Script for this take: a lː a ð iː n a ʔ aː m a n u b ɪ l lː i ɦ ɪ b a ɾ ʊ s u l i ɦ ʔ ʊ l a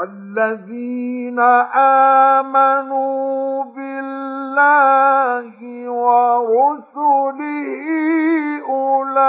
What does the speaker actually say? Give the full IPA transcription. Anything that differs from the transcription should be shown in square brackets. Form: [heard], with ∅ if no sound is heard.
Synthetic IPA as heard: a lː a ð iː n a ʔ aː m a n u b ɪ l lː [a] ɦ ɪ [w] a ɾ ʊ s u l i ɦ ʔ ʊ l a